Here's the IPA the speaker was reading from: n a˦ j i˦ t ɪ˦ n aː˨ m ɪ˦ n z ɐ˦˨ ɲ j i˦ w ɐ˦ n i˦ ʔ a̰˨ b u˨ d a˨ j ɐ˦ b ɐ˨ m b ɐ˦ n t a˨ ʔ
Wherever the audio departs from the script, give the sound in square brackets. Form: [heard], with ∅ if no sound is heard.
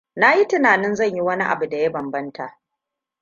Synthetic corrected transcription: n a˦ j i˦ t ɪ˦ n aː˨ [n] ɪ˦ n z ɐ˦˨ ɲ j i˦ w ɐ˦ n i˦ ʔ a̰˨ b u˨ d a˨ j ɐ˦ b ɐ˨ m b ɐ˦ n t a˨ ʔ